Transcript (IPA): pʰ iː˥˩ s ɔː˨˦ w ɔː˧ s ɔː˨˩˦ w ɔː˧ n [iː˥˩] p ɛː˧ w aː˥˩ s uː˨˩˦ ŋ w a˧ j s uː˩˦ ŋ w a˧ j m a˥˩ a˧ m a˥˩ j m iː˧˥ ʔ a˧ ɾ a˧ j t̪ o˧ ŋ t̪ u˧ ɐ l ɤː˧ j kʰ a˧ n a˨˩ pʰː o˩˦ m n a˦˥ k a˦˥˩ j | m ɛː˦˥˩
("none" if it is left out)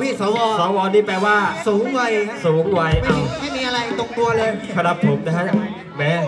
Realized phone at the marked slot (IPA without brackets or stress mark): iː˥˩